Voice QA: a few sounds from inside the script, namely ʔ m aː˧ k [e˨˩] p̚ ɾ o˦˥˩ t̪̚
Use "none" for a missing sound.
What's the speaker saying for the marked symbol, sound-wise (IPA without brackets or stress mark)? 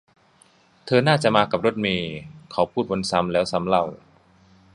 a˨˩